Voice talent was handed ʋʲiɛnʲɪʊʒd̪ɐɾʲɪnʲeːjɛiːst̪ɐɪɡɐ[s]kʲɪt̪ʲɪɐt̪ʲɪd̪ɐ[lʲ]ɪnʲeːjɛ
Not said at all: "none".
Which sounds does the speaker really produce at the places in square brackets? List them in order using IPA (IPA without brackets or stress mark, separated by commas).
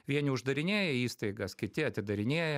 s, ɾʲ